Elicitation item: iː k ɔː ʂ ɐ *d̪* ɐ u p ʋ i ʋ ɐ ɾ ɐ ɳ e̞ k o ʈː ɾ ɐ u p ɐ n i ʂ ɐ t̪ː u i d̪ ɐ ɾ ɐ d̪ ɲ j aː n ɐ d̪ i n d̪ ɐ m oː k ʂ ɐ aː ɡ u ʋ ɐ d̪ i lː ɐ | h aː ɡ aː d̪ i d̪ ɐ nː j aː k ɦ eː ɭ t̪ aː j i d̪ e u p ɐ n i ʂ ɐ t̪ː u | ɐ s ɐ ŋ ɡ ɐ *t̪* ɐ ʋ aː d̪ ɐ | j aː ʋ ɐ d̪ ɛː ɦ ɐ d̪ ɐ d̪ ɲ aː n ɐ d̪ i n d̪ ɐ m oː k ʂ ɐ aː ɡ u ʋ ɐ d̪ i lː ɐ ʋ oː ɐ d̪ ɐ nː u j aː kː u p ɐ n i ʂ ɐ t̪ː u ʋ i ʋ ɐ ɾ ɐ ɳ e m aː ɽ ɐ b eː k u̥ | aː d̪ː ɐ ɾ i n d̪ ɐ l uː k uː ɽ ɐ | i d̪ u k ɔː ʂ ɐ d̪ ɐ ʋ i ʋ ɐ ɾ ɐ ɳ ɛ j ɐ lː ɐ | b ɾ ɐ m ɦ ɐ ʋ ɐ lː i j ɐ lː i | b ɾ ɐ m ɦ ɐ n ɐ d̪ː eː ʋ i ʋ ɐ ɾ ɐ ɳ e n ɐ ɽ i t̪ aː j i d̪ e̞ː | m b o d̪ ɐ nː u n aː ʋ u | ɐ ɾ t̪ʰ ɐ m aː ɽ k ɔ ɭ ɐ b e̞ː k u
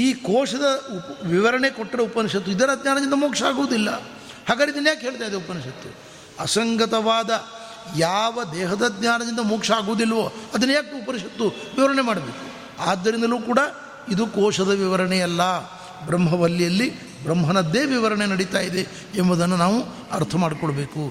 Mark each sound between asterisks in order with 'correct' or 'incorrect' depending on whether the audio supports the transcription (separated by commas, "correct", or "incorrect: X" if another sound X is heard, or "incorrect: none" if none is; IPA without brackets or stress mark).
correct, correct